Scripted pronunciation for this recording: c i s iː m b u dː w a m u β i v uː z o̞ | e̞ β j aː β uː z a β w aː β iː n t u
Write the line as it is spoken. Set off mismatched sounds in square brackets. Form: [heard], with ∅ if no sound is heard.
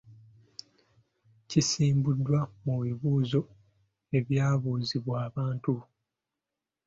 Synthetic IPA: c i s iː m b u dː w a m u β i [β] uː z o̞ | e̞ β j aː β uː z [i] β w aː β [aː] n t u